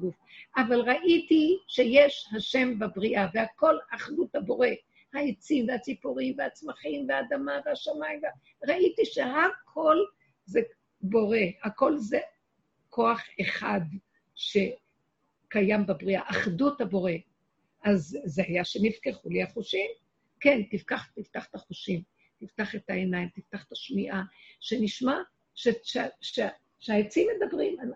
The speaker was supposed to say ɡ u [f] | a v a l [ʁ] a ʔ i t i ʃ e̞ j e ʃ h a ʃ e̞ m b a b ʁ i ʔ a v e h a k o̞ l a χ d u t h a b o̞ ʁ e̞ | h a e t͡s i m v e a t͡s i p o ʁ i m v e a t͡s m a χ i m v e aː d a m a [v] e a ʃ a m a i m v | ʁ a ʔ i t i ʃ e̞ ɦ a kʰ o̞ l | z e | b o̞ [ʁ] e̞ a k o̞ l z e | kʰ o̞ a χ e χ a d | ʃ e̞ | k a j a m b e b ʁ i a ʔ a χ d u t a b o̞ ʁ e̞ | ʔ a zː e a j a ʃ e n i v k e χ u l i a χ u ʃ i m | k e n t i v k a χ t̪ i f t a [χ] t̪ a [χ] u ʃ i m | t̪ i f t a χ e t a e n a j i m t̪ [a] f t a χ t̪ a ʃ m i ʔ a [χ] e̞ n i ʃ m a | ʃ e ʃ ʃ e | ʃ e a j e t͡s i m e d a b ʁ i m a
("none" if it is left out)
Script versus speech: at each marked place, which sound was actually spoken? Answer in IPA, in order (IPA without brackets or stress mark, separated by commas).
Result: f, ʁ, v, ʁ, χ, χ, i, ʃ